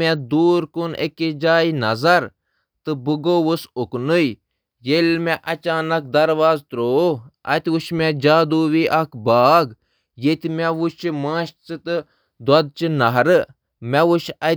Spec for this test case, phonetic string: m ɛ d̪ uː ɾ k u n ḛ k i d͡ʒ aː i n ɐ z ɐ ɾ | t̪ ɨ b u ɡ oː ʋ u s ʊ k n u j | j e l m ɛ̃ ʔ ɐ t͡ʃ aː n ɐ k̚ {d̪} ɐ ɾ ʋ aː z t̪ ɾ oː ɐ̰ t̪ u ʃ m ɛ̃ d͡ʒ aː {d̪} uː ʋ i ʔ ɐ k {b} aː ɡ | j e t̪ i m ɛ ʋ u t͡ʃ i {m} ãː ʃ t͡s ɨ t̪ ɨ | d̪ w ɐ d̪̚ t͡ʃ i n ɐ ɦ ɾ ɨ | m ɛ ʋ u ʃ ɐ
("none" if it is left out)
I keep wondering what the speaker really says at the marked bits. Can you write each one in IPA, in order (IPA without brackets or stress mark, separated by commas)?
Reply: d̪, d̪, b, m